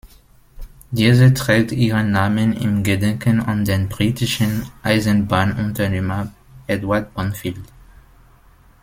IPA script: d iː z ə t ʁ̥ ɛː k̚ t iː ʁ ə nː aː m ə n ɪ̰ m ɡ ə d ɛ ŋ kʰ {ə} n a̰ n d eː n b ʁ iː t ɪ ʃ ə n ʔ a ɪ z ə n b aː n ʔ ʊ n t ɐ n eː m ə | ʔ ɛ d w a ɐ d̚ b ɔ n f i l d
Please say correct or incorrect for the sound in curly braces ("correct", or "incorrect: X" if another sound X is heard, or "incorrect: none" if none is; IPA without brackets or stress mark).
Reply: correct